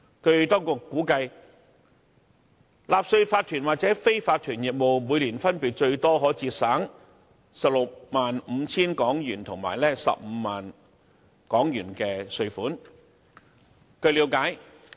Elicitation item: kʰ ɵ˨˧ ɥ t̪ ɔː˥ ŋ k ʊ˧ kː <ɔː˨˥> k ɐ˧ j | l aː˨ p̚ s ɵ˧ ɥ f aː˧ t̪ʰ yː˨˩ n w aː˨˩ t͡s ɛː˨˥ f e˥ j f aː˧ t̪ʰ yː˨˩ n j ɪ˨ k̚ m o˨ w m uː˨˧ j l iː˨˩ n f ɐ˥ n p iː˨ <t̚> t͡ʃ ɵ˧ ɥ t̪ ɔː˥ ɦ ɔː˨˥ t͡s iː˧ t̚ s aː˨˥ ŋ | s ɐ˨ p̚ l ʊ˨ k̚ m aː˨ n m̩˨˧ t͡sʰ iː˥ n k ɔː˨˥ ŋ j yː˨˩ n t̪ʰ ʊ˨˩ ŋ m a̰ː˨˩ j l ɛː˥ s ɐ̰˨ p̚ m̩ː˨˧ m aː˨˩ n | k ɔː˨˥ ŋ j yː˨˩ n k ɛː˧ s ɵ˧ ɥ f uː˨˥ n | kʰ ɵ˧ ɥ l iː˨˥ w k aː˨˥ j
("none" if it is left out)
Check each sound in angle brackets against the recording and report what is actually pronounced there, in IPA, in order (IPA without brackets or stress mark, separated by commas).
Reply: uː˨˥, t̚